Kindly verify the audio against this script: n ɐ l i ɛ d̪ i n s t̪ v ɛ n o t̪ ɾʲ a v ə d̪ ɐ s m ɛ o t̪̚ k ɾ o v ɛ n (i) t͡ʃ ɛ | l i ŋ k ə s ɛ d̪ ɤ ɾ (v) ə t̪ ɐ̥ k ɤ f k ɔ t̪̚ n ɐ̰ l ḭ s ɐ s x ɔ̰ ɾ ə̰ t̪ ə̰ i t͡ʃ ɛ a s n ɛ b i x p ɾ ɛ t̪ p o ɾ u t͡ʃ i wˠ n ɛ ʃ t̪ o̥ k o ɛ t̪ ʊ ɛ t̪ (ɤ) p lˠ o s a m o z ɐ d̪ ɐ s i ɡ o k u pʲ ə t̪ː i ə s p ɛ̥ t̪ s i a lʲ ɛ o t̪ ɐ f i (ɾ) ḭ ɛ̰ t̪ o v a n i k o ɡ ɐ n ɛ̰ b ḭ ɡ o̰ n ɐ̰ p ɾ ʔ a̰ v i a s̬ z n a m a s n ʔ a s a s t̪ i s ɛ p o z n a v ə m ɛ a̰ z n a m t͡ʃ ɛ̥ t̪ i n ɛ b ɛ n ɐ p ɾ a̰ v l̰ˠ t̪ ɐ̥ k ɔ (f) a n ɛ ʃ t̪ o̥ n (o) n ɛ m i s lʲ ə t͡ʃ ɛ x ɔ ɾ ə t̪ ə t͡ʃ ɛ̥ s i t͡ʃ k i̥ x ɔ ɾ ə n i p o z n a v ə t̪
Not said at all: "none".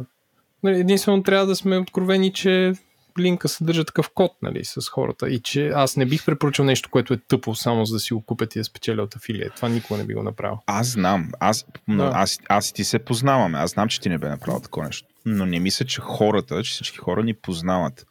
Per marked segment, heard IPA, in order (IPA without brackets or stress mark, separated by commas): i, ʒ, ɤ, l, v, o